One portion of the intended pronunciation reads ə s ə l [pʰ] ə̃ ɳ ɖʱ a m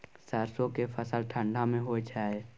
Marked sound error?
yes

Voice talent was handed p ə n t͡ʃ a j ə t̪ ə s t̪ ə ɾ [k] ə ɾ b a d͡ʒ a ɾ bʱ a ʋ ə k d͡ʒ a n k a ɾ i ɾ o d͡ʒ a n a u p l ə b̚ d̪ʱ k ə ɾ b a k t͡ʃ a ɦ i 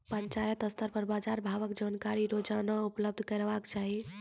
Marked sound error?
yes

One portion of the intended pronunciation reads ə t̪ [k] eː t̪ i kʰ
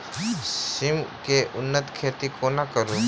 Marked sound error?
yes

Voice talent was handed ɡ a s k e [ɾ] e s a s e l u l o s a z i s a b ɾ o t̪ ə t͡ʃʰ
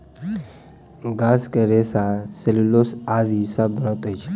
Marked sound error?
no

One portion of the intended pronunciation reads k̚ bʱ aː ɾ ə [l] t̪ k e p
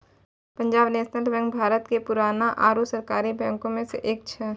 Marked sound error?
yes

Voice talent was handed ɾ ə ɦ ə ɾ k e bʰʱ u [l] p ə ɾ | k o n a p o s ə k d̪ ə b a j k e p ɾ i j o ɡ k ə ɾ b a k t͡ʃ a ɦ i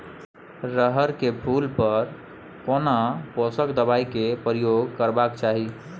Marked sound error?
no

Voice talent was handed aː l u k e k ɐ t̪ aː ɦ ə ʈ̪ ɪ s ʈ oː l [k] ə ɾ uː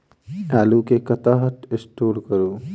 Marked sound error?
no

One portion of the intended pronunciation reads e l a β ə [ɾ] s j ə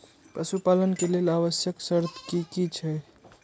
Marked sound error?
yes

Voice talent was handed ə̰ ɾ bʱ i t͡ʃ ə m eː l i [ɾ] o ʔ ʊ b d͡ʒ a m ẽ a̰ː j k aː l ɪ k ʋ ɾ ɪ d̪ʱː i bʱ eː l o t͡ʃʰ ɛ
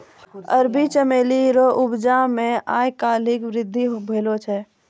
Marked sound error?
no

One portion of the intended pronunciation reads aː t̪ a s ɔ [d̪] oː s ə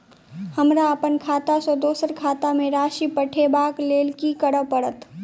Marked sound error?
no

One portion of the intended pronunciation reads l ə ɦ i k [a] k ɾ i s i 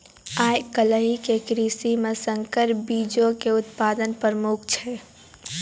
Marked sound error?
yes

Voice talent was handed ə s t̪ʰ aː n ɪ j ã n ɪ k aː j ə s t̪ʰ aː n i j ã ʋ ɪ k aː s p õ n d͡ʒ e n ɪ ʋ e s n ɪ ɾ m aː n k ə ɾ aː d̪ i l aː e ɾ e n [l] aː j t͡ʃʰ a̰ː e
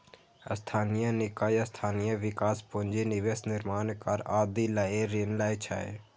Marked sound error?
no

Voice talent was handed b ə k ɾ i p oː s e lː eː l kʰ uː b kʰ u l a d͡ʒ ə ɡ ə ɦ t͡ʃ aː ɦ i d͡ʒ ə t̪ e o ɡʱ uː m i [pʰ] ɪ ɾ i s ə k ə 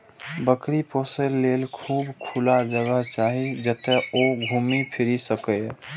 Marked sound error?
no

